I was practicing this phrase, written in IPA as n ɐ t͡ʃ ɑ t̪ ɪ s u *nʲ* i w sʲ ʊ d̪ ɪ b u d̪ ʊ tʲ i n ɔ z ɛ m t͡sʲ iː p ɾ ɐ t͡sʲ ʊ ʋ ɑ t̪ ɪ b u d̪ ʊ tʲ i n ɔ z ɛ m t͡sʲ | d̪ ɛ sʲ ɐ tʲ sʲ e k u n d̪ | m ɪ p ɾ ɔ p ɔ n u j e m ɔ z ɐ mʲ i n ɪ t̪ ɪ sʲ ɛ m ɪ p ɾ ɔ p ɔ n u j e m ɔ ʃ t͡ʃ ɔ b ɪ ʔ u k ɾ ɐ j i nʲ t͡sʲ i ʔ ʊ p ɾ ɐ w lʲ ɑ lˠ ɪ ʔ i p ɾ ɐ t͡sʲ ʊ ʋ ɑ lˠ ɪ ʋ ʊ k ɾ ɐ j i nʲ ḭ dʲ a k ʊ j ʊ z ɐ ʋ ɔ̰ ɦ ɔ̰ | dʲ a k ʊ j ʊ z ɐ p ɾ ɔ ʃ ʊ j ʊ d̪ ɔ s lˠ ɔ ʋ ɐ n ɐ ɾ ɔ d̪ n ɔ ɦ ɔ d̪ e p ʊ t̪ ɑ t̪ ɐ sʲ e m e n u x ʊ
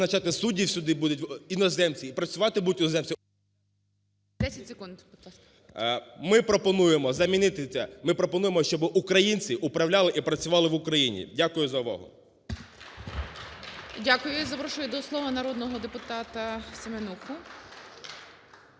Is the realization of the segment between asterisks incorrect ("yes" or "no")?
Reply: yes